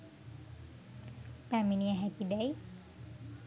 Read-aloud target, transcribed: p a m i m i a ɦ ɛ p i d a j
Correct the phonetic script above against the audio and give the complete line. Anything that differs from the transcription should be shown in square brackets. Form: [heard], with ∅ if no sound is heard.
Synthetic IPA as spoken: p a m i [n] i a ɦ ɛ [k] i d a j